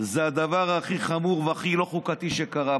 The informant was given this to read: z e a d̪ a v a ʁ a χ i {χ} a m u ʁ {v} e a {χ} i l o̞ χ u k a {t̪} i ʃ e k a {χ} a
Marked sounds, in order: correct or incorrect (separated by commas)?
correct, correct, correct, correct, incorrect